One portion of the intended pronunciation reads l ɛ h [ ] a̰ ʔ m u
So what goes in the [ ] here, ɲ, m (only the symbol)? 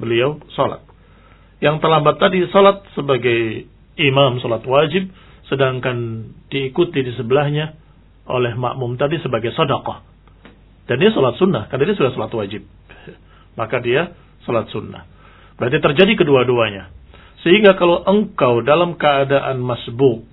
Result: m